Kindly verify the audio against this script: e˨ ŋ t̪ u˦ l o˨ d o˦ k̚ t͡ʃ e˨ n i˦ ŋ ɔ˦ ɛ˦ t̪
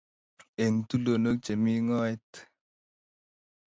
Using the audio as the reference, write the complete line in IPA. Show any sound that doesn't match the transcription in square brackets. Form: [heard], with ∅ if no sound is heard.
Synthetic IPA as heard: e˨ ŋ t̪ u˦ l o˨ [n] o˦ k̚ t͡ʃ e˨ [m] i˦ ŋ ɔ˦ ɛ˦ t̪